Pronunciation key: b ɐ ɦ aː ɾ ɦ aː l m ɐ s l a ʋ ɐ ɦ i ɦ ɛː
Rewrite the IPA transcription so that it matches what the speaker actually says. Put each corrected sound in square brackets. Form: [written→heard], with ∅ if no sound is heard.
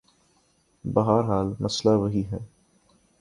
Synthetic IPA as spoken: b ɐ ɦ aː ɾ ɦ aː l m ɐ s l a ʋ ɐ ɦ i ɦ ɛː